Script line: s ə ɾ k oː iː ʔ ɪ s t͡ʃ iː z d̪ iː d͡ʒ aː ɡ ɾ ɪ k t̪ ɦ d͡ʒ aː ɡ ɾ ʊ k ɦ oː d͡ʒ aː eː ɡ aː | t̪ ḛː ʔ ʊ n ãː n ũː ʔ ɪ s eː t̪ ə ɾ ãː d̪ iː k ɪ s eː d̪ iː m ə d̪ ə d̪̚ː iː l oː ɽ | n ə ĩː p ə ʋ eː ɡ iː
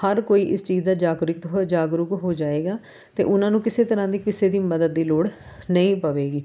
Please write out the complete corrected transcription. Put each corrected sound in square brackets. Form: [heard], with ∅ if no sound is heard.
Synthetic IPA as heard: [h] ə ɾ k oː iː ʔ ɪ s t͡ʃ iː z d̪ [aː] d͡ʒ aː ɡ ɾ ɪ k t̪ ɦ d͡ʒ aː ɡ ɾ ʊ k ɦ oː d͡ʒ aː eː ɡ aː | t̪ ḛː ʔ ʊ n ãː n ũː [k] ɪ s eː t̪ ə ɾ ãː d̪ iː k ɪ s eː d̪ iː m ə d̪ ə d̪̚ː iː l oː ɽ | n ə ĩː p ə ʋ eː ɡ iː